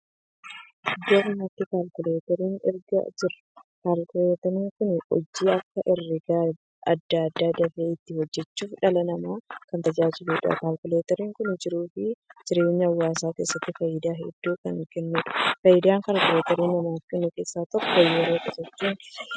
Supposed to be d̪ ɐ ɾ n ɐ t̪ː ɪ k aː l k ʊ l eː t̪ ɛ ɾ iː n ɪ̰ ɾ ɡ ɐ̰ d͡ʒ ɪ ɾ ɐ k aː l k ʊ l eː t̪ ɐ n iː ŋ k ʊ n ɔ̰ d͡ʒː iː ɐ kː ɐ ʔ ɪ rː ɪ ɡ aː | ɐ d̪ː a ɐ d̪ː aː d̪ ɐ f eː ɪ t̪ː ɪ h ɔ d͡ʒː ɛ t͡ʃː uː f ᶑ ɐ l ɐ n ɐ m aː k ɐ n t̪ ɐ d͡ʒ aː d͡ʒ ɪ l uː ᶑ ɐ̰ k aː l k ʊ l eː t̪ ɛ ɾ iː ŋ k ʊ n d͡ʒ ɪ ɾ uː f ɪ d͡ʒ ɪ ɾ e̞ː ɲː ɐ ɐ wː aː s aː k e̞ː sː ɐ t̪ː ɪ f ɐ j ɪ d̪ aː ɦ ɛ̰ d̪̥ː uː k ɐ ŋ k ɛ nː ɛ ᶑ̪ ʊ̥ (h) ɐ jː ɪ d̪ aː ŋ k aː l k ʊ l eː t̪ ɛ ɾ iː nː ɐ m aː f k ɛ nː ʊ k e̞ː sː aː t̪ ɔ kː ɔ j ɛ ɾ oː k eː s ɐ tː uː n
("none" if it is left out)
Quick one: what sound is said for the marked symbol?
f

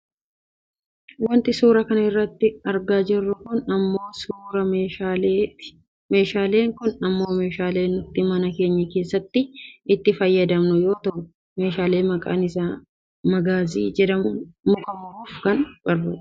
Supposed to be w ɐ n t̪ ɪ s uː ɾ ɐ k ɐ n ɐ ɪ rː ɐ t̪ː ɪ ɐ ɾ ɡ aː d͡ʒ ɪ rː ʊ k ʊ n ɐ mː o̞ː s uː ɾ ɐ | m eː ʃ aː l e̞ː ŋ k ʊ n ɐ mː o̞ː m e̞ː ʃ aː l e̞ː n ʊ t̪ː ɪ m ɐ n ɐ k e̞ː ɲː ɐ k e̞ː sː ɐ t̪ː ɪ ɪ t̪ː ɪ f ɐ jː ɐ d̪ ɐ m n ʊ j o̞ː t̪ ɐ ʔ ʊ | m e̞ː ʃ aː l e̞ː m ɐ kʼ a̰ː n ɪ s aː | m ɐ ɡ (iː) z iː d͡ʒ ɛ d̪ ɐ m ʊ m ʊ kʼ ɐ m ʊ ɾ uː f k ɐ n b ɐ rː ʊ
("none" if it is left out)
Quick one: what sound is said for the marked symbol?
aː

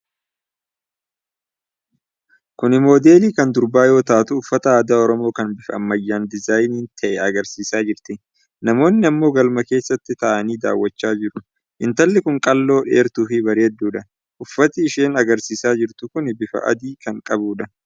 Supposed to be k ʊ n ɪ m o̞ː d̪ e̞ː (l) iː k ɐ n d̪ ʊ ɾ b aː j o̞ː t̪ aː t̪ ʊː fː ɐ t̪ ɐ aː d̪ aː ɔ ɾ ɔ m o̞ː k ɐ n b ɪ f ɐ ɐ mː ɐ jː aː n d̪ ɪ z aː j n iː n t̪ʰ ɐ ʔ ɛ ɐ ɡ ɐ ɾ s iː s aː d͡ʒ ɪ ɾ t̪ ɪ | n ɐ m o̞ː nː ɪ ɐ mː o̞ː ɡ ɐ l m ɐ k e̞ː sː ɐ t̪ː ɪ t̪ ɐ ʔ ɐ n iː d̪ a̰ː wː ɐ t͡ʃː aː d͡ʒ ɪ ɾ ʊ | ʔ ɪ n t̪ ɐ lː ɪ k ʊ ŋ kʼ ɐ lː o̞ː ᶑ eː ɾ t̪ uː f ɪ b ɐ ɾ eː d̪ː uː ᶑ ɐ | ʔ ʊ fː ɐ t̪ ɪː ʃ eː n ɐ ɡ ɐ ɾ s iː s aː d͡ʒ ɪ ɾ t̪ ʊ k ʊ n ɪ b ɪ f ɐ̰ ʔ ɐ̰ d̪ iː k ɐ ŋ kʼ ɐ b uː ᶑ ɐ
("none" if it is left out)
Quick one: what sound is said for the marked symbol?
l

